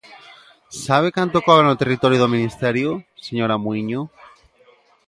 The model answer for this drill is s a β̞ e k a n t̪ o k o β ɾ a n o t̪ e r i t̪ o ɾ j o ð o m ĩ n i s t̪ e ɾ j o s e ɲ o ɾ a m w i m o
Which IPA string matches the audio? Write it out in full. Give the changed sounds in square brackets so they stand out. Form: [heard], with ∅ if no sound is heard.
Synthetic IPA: s a β̞ e k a n t̪ o k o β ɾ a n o t̪ e r i t̪ o ɾ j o ð o m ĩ n i s t̪ e ɾ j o s e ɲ o ɾ a m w i [ɲ] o